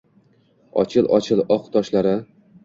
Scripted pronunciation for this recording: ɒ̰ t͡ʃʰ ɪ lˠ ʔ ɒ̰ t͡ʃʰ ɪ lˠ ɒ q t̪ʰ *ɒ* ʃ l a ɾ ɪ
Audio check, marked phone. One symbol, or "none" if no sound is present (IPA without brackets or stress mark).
ɒ